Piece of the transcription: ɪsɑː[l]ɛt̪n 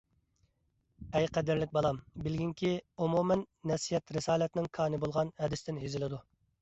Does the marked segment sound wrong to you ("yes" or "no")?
no